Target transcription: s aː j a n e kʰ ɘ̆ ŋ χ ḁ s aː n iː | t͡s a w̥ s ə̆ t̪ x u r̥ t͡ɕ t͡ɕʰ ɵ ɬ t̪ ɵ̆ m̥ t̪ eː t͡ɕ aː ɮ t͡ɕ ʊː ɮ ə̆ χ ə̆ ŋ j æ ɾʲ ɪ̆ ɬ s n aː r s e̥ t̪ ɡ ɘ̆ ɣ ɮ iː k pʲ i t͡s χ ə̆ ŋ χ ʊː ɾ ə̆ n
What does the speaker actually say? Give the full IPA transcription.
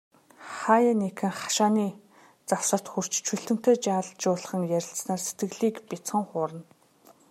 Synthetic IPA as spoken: χ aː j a n e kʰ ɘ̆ ŋ χ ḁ ʃ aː n iː | t͡s a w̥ s ə̆ t̪ x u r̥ t͡ɕ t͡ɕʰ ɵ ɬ t̪ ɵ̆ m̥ t̪ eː t͡ɕ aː ɮ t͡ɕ ʊː ɮ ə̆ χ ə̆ ŋ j æ ɾʲ ɪ̆ ɬ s n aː r s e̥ t̪ ɡ ɘ̆ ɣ ɮ iː k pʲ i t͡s χ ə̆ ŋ χ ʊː ɾ ə̆ n